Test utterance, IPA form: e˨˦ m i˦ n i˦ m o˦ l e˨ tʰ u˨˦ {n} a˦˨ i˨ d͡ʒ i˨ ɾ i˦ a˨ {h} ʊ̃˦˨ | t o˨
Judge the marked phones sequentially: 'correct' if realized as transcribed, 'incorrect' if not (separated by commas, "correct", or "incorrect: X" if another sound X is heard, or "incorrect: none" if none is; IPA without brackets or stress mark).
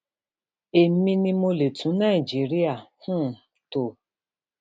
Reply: correct, correct